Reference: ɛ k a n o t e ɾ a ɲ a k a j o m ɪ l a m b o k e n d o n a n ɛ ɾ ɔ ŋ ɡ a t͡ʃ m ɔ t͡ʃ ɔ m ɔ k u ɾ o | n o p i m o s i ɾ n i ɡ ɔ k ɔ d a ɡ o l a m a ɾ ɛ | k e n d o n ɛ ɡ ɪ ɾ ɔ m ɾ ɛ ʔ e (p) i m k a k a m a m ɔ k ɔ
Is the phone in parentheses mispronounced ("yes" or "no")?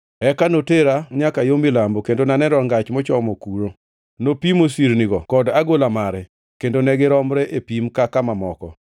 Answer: no